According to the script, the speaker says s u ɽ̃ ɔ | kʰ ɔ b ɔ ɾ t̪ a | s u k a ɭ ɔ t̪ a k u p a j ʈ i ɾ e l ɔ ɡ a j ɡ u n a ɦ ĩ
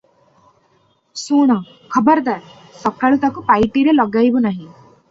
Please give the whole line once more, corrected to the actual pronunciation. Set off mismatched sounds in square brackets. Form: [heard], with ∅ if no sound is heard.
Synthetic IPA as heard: s u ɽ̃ ɔ | kʰ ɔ b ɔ ɾ [d̪] a | s [ɔ] k a ɭ [u] t̪ a k u p a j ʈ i ɾ e l ɔ ɡ a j [b] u n a ɦ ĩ

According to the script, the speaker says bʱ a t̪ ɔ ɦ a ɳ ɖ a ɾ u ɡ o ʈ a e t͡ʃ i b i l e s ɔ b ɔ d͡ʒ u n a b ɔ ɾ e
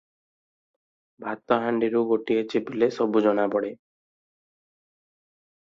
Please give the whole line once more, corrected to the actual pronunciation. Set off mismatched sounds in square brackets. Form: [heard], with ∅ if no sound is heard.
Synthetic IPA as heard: bʱ a t̪ ɔ ɦ a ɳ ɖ [i] ɾ u ɡ o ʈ [i] e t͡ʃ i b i l e s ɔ b [u] d͡ʒ [ɔ] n a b ɔ [ɽ] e

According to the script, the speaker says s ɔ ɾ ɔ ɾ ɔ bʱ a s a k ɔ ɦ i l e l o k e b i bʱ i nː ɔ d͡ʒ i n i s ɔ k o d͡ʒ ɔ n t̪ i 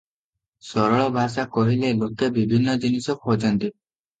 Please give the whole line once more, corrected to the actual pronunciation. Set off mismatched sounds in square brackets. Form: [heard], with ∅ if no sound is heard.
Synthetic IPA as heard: s ɔ ɾ ɔ [ɭ] ɔ bʱ a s a k ɔ ɦ i l e l o k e b i bʱ i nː ɔ d͡ʒ i n i s ɔ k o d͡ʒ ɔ n t̪ i

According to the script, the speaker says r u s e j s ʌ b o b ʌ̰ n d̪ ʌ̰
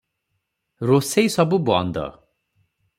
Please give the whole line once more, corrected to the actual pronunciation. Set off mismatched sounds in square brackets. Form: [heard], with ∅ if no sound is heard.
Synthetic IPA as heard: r [o] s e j s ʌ b [u] b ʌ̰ n d̪ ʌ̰

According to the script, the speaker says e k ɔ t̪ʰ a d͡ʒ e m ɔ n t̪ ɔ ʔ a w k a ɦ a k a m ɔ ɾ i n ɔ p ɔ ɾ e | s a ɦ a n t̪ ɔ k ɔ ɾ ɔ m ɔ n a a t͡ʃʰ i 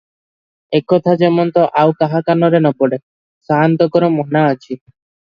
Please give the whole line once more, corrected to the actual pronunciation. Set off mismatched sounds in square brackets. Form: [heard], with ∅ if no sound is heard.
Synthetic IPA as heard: e k ɔ t̪ʰ a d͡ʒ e m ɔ n t̪ ɔ ʔ a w k a ɦ a k a [n] ɔ ɾ [e] n ɔ p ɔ [ɽ] e | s a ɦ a n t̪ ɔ k ɔ ɾ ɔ m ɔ n a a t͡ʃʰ i

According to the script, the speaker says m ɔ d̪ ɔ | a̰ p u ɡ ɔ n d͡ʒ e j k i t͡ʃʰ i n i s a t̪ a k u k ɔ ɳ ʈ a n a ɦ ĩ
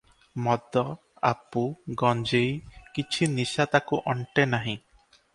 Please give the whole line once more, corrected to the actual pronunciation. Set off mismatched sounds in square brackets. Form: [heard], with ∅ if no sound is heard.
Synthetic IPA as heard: m ɔ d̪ ɔ | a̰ p u ɡ ɔ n d͡ʒ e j k i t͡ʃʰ i n i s a t̪ a k u [ʔ] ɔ ɳ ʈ [e] n a ɦ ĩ

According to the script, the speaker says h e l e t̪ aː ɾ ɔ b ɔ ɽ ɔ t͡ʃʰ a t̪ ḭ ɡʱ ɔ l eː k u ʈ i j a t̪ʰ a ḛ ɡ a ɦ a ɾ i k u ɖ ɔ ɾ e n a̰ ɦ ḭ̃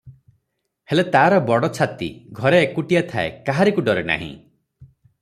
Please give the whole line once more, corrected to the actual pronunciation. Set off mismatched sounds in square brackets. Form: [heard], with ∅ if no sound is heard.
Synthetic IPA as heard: h e l e t̪ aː ɾ ɔ b ɔ ɽ ɔ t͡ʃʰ a t̪ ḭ ɡʱ ɔ [ɾ] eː k u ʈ i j a t̪ʰ a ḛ [k] a ɦ a ɾ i k u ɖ ɔ ɾ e n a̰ ɦ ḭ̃

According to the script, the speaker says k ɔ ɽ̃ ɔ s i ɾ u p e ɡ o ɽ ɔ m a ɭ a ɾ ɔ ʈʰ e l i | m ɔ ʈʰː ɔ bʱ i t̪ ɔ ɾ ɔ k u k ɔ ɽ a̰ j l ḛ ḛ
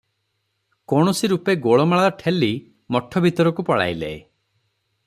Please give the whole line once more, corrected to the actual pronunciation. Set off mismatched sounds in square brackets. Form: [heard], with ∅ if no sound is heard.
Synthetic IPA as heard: k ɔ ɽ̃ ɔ s i ɾ u p e ɡ o [ɭ] ɔ m a ɭ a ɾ ɔ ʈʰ e l i | m ɔ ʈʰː ɔ bʱ i t̪ ɔ ɾ ɔ k u [p] ɔ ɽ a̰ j l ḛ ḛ

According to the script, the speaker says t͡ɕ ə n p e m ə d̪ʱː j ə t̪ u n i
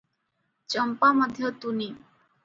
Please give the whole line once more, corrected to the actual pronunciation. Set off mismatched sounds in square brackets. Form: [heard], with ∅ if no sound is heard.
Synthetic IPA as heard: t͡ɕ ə [m] p [a] m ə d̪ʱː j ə t̪ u n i

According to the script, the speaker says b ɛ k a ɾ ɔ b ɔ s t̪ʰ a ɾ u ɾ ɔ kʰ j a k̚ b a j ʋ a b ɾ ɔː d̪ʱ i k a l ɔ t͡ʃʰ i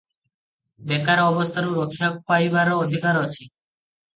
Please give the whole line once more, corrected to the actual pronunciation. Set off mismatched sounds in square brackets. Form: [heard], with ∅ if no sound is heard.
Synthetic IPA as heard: b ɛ k a ɾ ɔ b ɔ s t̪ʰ a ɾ u ɾ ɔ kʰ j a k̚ [p] a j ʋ a [∅] ɾ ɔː d̪ʱ i k a [ɾ] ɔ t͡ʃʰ i

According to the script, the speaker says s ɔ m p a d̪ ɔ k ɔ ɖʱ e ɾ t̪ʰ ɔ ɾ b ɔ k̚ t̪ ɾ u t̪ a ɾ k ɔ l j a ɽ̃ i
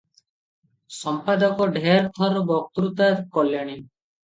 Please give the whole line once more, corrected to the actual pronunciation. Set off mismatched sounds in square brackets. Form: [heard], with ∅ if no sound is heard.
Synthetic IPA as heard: s ɔ m p a d̪ ɔ k ɔ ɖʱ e ɾ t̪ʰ ɔ ɾ b ɔ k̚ t̪ ɾ u t̪ a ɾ k ɔ l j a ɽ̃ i

